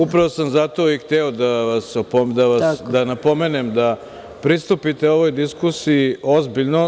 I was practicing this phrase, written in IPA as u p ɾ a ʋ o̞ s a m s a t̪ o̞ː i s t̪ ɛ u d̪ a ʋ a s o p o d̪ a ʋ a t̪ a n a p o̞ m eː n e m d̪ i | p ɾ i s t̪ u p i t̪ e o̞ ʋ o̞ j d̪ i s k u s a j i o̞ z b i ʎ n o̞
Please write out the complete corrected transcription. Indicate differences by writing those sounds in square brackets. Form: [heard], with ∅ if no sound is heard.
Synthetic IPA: u p ɾ a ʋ o̞ s a m [z] a t̪ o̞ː i [x] t̪ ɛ [o] d̪ a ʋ a s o p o d̪ a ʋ a [d̪] a n a p o̞ m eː n e m d̪ [a] | p ɾ i s t̪ u p i t̪ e o̞ ʋ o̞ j d̪ i s k u s [i] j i o̞ z b i ʎ n o̞

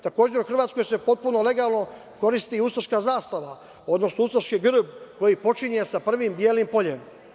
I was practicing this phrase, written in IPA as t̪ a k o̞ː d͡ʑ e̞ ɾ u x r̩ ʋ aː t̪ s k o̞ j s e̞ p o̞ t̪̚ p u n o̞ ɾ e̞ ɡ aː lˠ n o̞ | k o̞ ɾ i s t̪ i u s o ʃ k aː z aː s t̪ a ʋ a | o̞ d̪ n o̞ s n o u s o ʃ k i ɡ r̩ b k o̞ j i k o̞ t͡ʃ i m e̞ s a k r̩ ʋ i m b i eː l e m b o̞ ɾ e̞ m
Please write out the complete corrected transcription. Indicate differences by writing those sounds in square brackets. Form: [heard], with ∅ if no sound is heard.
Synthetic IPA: t̪ a k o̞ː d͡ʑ e̞ ɾ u x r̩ ʋ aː t̪ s k o̞ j s e̞ p o̞ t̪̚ p u n o̞ [l] e̞ ɡ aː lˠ n o̞ | k o̞ ɾ i s t̪ i u s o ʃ k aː z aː s t̪ a ʋ a | o̞ d̪ n o̞ s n o u s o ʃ k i ɡ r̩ b k o̞ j i [p] o̞ t͡ʃ i [ɲ] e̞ s a [p] r̩ ʋ i m b [j] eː l [i] m [p] o̞ [ʎ] e̞ m

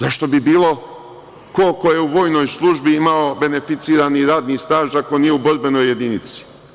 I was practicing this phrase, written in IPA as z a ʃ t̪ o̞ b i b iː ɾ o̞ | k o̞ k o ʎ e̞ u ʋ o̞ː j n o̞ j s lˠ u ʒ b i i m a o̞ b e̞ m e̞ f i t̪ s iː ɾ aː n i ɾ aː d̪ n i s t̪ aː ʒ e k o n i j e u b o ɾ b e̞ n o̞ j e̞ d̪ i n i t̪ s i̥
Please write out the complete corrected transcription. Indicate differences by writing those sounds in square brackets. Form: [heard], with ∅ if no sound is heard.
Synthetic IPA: z a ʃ t̪ o̞ b i b iː [l] o̞ | k o̞ k o [j] e̞ u ʋ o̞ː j n o̞ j s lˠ u ʒ b i i m a o̞ b e̞ [n] e̞ f i t̪ s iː ɾ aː n i ɾ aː d̪ n i s t̪ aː ʒ [a] k o n i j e u b o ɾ b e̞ n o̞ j e̞ d̪ i n i t̪ s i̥

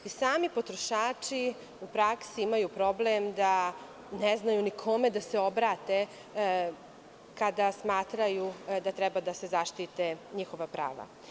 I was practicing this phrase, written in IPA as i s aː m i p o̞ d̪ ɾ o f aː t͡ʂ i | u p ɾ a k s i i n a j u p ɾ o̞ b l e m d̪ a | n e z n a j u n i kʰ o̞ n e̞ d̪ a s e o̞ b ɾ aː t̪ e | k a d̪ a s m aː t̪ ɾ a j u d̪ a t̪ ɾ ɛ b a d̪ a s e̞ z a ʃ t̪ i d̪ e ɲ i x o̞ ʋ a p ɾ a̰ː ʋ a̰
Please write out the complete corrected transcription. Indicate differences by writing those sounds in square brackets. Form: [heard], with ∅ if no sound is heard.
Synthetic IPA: i s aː m i p o̞ [t̪] ɾ o [ʃ] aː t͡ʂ i | u p ɾ a k s i i [m] a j u p ɾ o̞ b l e m d̪ a | n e z n a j u n i kʰ o̞ [m] e̞ d̪ a s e o̞ b ɾ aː t̪ e | k a d̪ a s m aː t̪ ɾ a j u d̪ a t̪ ɾ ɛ b a d̪ a s e̞ z a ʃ t̪ i [t̪] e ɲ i x o̞ ʋ a p ɾ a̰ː ʋ a̰

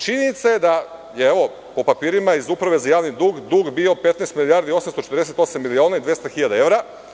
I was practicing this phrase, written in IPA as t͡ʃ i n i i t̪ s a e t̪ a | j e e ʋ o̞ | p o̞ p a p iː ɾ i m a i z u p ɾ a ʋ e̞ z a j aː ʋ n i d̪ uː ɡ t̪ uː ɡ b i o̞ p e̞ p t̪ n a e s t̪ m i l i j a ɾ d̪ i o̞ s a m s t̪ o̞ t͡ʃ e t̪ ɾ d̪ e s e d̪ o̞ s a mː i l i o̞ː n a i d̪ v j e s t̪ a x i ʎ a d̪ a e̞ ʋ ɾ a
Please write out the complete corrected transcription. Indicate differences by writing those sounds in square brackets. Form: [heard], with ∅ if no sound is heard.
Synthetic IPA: t͡ʃ i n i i t̪ s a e [d̪] a | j e e ʋ o̞ | p o̞ p a p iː ɾ i m a i z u p ɾ a ʋ e̞ z a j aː ʋ n i d̪ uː ɡ [d̪] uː ɡ b i o̞ p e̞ [∅] t̪ n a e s t̪ m i l i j a ɾ d̪ i o̞ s a m s t̪ o̞ t͡ʃ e t̪ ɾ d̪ e s e [t̪] o̞ s a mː i l i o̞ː n a i d̪ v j e s t̪ a x i ʎ a d̪ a e̞ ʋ ɾ a

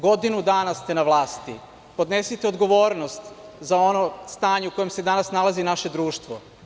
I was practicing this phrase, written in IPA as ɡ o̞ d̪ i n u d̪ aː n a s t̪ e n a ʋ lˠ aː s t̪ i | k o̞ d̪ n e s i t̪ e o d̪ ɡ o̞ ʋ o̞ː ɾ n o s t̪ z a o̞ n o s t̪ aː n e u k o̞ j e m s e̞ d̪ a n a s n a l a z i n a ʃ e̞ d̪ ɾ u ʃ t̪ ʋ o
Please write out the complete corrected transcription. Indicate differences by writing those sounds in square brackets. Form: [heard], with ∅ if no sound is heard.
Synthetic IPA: ɡ o̞ d̪ i n u d̪ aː n a s t̪ e n a ʋ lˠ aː s t̪ i | [p] o̞ d̪ n e s i t̪ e o d̪ ɡ o̞ ʋ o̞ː ɾ n o s t̪ z a o̞ n o s t̪ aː [ɲ] e u k o̞ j e m s e̞ d̪ a n a s n a l a z i n a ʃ e̞ d̪ ɾ [uː] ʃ t̪ ʋ o

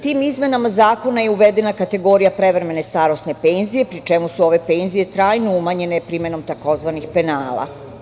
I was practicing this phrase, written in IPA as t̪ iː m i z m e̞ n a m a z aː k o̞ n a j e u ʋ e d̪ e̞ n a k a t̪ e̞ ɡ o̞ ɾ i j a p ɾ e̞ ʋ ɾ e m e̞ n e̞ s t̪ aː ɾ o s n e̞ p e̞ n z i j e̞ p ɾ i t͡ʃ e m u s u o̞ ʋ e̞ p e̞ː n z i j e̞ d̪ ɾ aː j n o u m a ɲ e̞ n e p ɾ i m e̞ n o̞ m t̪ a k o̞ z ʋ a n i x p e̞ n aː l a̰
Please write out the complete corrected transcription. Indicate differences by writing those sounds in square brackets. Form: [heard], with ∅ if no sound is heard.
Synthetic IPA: t̪ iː m i z m e̞ n a m a z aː k o̞ n a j e u ʋ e d̪ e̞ n a k a t̪ e̞ ɡ o̞ ɾ i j a p ɾ e̞ ʋ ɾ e m e̞ n e̞ s t̪ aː ɾ o s n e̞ p e̞ n z i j e̞ p ɾ i t͡ʃ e m u s u o̞ ʋ e̞ p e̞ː n z i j e̞ [t̪] ɾ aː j n o u m a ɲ e̞ n e p ɾ i m e̞ n o̞ m t̪ a k o̞ z ʋ a n i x p e̞ n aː l a̰

